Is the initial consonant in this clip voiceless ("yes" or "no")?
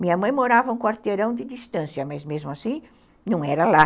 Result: no